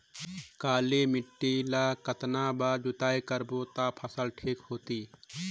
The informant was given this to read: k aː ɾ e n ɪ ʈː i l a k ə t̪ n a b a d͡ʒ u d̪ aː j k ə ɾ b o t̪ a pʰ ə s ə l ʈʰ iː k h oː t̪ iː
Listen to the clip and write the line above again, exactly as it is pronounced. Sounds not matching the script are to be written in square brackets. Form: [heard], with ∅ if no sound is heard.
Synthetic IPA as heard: k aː [l] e [m] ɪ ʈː i l a k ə t̪ n a b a d͡ʒ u [t̪] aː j k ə ɾ b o t̪ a pʰ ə s ə l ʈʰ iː k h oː t̪ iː

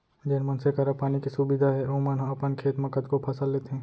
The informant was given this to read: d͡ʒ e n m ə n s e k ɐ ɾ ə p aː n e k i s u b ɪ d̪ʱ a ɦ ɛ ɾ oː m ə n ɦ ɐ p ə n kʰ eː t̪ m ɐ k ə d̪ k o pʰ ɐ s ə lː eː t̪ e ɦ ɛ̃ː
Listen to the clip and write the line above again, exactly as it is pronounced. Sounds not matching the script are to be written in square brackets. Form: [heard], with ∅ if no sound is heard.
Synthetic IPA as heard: d͡ʒ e n m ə n s e k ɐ ɾ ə p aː n [i] k i s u b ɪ d̪ʱ a ɦ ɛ ɾ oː m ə n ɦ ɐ p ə n kʰ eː t̪ m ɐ k ə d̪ k o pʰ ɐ s ə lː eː t̪ e ɦ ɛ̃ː

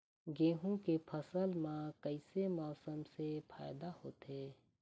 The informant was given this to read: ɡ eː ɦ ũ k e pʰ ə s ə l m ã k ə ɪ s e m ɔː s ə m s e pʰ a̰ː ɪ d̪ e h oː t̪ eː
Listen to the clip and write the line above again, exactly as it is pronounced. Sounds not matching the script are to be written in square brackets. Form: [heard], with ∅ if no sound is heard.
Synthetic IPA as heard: ɡ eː ɦ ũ k e pʰ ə s ə l m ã k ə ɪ s e m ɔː s ə m s e pʰ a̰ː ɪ d̪ [a] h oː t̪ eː

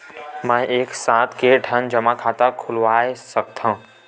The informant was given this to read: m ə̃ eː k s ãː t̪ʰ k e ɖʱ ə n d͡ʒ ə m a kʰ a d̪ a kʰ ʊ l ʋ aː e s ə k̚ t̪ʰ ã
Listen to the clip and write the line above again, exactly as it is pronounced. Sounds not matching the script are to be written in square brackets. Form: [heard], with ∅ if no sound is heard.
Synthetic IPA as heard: m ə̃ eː k s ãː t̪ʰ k e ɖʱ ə n d͡ʒ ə m a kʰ a [t̪] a kʰ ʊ l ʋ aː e s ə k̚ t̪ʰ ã

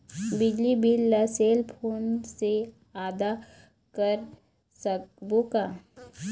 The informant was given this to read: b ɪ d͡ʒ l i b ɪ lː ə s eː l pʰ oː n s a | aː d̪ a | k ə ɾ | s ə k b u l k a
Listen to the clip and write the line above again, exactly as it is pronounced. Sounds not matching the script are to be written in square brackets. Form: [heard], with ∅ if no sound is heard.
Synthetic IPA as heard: b ɪ d͡ʒ l i b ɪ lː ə s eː l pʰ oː n s [e] | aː d̪ a | k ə ɾ | s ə k b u [∅] k a

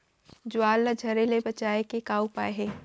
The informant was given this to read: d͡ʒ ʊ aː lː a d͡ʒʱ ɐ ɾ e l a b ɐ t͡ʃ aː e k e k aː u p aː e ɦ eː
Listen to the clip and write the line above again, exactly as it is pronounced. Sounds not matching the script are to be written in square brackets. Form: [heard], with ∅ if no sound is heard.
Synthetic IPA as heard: d͡ʒ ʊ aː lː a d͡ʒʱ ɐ ɾ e l [e] b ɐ t͡ʃ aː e k e k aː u p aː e ɦ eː

